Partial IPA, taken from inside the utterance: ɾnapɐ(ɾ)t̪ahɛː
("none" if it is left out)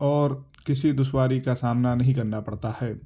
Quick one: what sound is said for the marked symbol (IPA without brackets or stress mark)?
ɽ